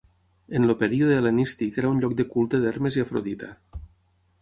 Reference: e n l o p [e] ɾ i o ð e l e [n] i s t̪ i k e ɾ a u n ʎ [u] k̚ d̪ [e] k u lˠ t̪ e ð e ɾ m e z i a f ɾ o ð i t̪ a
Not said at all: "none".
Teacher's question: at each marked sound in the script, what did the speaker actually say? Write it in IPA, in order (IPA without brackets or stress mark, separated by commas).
e, n, ɔ, e